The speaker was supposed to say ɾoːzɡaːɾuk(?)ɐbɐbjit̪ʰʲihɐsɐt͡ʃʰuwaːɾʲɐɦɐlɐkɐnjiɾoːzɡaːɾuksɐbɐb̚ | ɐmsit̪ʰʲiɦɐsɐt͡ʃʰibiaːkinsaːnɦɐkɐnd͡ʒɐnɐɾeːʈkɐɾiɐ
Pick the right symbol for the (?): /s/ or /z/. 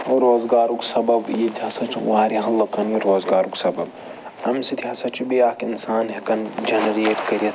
s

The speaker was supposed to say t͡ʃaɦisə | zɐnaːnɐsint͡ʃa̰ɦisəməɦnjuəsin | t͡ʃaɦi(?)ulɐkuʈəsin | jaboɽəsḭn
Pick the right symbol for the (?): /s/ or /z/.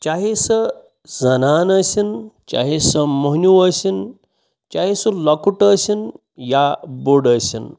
s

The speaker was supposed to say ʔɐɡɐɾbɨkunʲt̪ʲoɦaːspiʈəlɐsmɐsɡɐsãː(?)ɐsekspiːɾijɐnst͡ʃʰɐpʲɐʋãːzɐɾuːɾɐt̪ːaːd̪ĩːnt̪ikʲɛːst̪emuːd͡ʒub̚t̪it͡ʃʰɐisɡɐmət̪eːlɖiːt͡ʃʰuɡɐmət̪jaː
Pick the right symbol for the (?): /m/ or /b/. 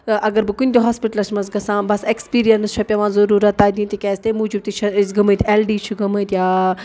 b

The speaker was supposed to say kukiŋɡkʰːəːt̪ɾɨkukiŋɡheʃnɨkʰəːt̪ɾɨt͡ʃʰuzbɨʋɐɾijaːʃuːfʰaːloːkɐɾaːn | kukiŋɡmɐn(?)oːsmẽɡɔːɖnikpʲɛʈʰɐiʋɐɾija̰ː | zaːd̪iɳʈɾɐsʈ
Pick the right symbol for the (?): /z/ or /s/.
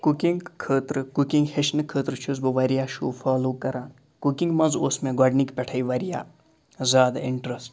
z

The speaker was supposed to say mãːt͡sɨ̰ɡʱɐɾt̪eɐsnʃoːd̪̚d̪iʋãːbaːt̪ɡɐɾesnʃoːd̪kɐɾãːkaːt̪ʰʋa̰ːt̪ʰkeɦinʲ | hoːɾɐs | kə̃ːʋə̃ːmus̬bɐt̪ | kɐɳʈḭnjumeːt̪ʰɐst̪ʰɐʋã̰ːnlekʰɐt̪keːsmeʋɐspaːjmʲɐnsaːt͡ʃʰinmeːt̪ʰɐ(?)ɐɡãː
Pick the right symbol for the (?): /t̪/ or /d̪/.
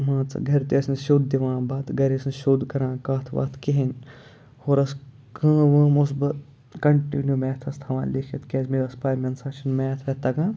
t̪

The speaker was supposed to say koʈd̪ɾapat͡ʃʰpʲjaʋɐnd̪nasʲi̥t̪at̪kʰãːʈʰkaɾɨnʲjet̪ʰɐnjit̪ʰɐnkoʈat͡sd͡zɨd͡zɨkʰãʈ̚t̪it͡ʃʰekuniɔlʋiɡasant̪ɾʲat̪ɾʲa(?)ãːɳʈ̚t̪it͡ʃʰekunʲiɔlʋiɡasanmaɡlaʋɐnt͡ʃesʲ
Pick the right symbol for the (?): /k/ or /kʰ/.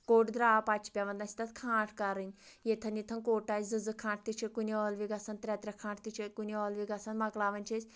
kʰ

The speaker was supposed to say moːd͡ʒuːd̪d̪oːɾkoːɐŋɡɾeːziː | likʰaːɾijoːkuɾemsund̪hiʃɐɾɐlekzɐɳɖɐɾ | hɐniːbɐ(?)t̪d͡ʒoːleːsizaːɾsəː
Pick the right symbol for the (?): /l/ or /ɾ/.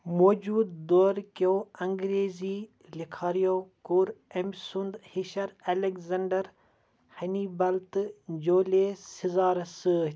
l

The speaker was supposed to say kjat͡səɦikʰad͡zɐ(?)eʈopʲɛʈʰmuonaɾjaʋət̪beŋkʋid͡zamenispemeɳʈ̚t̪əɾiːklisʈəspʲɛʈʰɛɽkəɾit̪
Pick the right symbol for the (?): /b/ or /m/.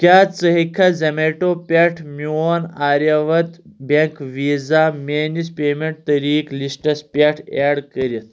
m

